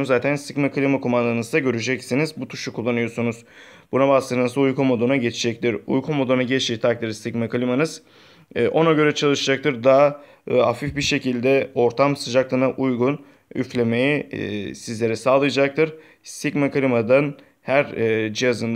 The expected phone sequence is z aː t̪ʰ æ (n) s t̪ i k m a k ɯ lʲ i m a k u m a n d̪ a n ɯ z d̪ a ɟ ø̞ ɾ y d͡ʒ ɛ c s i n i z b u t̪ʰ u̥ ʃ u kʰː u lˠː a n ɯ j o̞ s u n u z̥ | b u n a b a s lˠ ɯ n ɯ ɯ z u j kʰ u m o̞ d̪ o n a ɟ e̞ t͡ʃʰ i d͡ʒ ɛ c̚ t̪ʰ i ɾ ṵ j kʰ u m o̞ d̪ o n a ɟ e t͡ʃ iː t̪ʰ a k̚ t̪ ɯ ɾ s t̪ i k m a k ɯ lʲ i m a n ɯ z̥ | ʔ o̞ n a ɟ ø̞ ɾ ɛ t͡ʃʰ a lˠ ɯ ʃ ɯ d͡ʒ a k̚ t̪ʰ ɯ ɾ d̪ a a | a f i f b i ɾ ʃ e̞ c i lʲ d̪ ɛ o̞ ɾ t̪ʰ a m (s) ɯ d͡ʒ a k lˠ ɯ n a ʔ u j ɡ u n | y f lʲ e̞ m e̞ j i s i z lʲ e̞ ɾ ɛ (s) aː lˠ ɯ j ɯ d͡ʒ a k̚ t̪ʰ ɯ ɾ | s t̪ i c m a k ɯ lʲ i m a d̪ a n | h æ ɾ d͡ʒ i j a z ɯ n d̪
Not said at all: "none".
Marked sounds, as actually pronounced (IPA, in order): n, s, s

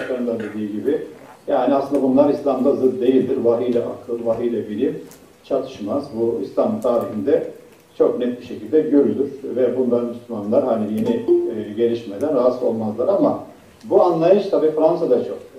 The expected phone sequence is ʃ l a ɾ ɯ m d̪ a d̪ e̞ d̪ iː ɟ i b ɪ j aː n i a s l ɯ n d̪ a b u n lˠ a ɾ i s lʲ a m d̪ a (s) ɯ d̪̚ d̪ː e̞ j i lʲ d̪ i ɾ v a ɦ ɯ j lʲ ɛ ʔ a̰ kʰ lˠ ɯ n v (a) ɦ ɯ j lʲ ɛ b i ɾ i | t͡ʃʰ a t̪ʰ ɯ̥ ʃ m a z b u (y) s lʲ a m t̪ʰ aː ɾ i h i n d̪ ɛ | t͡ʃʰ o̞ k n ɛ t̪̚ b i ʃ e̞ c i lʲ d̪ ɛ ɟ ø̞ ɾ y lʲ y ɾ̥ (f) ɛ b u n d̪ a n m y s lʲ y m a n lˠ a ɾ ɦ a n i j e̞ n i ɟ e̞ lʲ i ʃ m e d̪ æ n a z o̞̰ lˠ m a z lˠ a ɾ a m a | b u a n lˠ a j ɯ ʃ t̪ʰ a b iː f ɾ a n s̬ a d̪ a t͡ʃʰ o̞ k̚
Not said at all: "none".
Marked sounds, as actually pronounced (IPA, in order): z, a, i, v

